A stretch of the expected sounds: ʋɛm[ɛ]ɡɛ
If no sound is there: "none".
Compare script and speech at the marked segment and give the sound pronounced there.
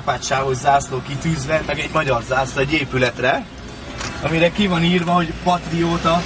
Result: ɛ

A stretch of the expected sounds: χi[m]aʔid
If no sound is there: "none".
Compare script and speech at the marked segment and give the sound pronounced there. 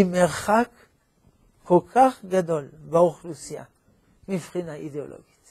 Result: n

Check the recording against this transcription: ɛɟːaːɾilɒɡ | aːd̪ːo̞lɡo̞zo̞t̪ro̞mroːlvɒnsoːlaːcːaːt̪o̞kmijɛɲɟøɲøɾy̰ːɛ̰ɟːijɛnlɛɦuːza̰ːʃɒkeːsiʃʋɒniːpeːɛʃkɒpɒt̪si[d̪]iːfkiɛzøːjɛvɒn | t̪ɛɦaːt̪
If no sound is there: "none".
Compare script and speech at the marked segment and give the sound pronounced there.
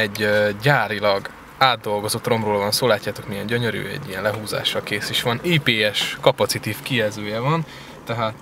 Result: t̪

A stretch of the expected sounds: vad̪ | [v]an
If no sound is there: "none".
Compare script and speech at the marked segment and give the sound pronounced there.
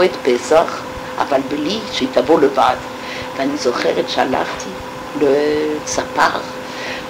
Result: v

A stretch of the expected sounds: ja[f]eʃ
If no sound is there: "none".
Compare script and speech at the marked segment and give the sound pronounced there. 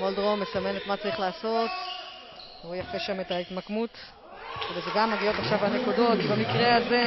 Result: f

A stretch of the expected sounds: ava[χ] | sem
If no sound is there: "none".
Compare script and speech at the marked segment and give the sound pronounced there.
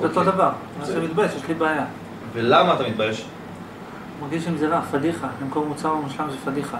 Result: ʁ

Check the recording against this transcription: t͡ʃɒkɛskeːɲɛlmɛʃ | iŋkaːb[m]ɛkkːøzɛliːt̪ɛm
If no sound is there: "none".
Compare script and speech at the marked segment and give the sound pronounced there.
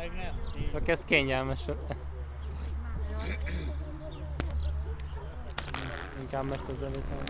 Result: m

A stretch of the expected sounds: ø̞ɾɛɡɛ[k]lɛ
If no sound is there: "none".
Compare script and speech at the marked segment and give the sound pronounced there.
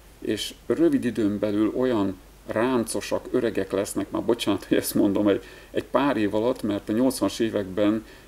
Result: k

